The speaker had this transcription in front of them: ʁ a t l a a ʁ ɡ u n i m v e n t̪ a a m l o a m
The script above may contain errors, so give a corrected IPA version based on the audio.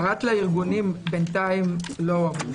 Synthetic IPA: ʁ a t l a i ʁ ɡ u n i m b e n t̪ a i m l o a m